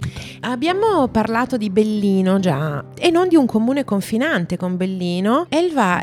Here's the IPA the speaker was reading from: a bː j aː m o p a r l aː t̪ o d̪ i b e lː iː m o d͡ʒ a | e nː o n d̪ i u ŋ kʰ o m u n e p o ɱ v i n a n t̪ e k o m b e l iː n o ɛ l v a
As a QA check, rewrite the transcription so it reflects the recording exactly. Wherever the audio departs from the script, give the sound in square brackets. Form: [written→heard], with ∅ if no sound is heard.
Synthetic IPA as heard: a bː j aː m o p a r l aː t̪ o d̪ i b e lː iː [m→n] o d͡ʒ a | e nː o n d̪ i u ŋ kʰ o m [u→uː] n e [p→k] o ɱ [v→f] i n a n t̪ e k o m b e [l→lː] iː n o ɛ l v a